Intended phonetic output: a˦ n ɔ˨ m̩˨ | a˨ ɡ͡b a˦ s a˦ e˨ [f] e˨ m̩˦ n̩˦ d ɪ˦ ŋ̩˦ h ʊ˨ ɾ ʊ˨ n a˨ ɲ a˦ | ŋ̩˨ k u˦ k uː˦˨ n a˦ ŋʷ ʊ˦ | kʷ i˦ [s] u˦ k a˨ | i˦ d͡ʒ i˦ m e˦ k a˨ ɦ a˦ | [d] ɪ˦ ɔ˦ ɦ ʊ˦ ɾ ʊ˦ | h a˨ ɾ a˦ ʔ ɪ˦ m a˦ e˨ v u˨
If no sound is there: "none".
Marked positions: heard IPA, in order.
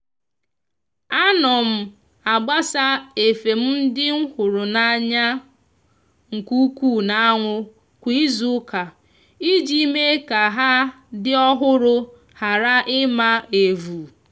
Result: f, z, d

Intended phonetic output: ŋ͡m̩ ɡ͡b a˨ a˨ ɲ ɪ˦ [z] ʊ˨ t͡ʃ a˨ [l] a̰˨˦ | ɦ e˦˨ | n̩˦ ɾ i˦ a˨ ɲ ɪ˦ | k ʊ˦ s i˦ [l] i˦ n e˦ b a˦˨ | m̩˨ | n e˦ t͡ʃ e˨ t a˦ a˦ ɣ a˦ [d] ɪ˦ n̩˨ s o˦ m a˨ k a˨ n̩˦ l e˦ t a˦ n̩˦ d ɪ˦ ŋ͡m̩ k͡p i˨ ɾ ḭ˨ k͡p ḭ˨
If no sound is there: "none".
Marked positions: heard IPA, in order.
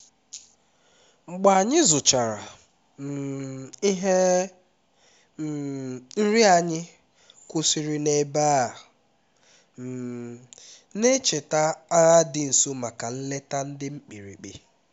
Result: z, ɾ, ɾ, d

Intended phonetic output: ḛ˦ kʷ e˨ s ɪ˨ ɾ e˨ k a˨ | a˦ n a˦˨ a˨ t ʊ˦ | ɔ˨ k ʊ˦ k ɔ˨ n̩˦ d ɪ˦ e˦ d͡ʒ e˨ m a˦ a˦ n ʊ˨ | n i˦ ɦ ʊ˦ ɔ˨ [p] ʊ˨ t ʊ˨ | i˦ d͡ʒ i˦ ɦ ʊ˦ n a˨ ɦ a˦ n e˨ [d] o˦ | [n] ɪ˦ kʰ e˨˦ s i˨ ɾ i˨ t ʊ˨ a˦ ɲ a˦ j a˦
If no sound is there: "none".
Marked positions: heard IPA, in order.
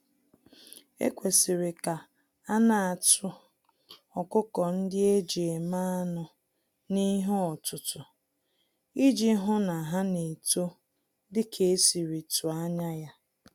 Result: t, t, d

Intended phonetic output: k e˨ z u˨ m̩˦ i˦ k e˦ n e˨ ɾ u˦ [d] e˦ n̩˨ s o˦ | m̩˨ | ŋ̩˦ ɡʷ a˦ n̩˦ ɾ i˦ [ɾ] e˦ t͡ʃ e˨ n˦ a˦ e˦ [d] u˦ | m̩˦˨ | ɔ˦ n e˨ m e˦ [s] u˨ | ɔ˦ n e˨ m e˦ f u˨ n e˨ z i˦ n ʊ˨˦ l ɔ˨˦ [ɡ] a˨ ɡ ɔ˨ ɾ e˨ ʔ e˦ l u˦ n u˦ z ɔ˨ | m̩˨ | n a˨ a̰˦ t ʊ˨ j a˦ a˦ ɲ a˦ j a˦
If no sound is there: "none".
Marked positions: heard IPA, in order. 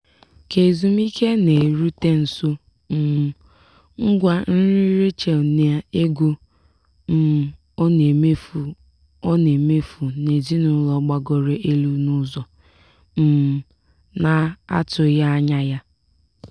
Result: t, ɾ, ɡ, f, ɡ͡b

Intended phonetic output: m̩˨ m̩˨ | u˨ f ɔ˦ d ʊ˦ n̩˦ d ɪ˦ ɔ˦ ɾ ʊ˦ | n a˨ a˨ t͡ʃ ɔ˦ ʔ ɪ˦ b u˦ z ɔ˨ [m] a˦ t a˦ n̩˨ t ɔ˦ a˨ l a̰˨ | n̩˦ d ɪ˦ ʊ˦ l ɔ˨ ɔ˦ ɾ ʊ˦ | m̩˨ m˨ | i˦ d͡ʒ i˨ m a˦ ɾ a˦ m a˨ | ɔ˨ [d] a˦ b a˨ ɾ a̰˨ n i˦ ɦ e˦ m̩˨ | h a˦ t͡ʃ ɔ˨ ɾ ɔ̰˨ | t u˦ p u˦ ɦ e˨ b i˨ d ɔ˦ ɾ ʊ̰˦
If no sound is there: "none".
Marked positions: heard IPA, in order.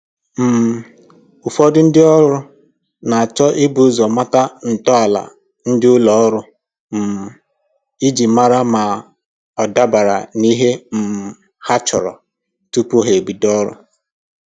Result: m, d

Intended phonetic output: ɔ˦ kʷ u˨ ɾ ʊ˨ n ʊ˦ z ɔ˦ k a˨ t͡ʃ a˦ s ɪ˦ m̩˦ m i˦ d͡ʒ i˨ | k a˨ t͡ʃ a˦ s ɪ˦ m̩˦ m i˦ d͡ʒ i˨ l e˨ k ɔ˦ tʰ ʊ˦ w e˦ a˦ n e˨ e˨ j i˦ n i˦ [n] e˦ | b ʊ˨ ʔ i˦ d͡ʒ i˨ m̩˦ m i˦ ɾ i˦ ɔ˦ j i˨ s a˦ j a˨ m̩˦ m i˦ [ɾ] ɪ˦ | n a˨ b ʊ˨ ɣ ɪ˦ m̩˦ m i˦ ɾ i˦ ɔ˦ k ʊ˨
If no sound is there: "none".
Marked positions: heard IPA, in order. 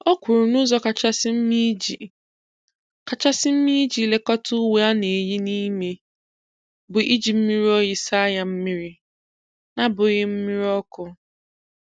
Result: m, ɾ

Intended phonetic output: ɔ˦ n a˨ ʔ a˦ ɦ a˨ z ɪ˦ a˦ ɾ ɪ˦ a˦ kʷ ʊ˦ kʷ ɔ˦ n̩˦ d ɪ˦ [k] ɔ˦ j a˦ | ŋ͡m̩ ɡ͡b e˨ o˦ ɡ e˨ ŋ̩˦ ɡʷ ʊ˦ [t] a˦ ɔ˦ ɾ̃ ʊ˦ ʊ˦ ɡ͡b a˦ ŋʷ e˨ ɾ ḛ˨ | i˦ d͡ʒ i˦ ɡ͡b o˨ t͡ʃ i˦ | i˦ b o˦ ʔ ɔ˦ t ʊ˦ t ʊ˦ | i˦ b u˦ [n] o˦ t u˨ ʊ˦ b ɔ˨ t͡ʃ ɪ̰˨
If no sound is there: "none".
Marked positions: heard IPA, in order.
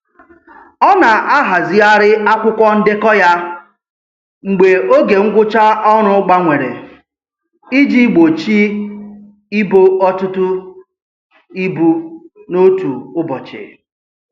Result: k, t͡ʃ, n

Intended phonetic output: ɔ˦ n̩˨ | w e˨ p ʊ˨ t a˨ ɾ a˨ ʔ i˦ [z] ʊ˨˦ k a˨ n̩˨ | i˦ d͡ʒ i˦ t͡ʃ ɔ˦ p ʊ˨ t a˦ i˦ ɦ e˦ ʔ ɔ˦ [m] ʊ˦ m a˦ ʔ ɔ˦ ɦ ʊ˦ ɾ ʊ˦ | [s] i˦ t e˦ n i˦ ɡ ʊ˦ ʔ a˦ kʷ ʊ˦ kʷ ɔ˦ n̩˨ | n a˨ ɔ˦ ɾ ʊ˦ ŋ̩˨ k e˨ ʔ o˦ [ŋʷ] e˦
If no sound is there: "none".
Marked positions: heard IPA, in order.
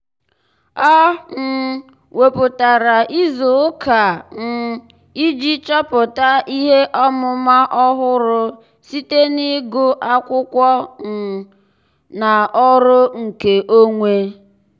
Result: z, m, s, ŋʷ

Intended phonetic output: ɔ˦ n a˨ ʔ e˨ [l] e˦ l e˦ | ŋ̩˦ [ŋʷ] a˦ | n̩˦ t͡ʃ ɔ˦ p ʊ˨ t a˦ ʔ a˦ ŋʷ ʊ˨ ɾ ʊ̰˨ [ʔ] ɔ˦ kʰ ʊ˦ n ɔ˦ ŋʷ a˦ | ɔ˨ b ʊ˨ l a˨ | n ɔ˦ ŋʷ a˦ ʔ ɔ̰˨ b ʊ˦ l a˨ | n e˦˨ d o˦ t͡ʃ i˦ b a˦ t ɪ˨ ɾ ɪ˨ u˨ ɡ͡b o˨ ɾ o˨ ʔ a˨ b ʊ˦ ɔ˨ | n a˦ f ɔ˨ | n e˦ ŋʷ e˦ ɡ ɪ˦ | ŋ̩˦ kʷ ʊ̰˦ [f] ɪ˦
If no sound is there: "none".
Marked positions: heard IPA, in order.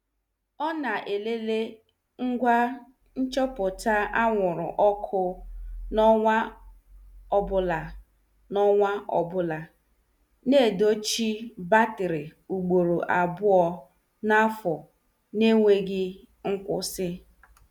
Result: l, ɡʷ, ʔ, s

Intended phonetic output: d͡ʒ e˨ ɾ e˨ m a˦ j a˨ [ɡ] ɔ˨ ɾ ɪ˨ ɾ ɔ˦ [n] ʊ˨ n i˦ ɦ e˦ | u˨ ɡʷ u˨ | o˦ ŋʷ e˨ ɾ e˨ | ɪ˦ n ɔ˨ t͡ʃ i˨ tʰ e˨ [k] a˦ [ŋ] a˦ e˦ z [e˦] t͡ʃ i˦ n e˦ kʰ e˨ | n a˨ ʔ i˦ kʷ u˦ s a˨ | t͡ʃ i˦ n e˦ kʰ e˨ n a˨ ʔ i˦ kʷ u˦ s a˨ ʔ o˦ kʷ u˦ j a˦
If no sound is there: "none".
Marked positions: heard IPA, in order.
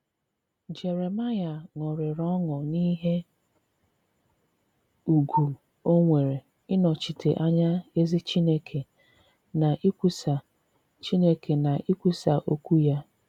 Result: ŋ, ŋ, ʔ, ɲ, i˦

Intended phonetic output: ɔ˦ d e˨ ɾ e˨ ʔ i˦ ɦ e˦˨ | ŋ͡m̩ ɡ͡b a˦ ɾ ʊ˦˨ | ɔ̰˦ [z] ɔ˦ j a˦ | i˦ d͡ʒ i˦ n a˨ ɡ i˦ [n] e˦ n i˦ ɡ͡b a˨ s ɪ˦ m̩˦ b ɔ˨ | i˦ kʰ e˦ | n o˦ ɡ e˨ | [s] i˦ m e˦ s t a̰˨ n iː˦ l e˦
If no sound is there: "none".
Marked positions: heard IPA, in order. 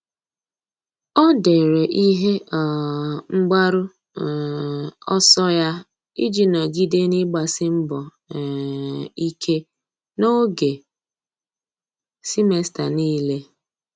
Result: s, d, s

